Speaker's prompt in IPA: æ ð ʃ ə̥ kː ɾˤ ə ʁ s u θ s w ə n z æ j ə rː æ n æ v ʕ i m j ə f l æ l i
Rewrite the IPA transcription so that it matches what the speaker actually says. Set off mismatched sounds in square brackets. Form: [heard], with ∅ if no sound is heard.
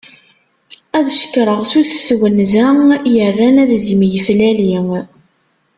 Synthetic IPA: æ ð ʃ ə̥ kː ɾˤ ə ʁ s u θ s w ə n z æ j ə rː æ n æ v [z] i m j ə f l æ l i